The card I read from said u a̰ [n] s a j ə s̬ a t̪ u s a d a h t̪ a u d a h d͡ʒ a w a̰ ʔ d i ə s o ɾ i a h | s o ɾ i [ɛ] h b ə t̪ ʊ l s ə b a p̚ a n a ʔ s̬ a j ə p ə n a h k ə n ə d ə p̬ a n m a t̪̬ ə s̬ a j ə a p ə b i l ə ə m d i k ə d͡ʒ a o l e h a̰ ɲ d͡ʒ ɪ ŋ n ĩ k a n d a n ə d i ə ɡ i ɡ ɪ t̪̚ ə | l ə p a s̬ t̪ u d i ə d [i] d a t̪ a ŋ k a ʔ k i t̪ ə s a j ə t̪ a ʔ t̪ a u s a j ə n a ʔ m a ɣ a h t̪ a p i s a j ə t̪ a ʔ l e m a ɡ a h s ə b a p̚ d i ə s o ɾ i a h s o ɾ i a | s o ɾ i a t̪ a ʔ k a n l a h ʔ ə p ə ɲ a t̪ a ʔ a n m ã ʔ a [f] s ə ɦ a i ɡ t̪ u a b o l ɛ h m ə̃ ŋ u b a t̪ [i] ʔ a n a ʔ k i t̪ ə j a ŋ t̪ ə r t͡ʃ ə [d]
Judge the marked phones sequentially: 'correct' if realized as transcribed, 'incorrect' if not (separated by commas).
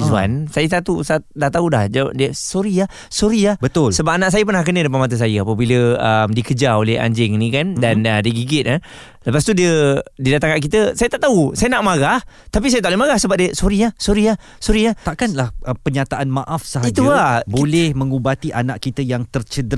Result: correct, incorrect, correct, correct, correct, correct